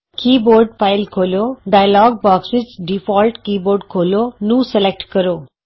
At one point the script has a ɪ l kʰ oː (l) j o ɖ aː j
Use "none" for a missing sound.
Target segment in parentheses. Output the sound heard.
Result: l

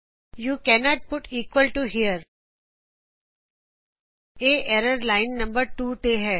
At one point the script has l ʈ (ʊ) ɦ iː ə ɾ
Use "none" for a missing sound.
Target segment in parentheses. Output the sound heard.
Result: u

